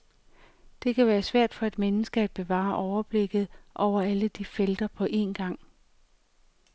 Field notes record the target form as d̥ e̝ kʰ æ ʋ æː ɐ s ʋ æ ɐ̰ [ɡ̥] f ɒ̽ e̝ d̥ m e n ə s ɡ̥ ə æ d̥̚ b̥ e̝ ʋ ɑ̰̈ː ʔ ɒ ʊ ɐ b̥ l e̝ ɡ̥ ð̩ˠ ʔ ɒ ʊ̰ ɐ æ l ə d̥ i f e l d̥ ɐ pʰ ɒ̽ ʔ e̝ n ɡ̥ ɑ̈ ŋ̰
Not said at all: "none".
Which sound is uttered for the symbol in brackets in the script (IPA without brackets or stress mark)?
d̥